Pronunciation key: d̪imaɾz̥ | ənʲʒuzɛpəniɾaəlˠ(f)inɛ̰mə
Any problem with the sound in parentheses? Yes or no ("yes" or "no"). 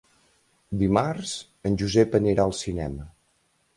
yes